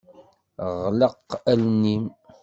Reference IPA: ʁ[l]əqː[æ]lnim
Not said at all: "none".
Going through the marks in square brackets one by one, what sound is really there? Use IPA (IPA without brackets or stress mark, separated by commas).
l, æ